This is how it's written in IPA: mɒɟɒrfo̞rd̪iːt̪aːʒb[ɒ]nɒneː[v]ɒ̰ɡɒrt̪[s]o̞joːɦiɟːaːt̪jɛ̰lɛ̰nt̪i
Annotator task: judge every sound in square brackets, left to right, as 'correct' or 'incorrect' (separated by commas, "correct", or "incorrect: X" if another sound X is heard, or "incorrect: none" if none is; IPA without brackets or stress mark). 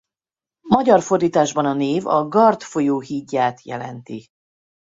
correct, correct, incorrect: f